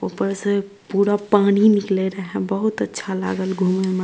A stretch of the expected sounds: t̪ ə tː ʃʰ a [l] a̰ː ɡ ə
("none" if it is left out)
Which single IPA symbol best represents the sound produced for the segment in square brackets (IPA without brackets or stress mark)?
l